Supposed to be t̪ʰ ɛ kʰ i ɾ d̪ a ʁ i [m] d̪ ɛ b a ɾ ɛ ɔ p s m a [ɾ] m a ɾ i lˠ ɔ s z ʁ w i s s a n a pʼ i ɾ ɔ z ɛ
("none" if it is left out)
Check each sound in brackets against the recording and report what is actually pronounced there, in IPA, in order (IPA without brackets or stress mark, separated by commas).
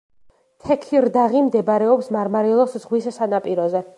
m, ɾ